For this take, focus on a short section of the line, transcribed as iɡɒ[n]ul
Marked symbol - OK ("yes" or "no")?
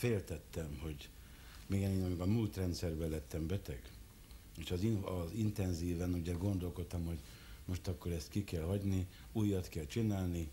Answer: no